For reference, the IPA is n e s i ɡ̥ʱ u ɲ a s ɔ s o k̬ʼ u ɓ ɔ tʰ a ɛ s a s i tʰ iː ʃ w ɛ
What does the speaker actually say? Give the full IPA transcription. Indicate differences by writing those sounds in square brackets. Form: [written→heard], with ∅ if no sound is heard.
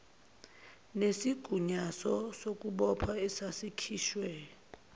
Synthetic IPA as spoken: n e s i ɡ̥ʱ u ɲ a s ɔ s o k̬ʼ u ɓ ɔ [tʰ→pʰ] a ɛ s a s i [tʰ→kʰ] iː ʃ w ɛ

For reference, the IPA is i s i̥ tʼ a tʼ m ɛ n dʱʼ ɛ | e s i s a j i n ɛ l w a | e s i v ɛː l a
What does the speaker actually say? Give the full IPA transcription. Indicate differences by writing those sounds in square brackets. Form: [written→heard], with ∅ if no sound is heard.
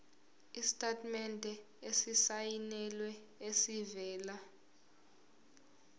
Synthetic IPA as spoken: i s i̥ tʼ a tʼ m ɛ n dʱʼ ɛ | e s i s a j i n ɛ l w [a→ɛ] | e s i v ɛː l a

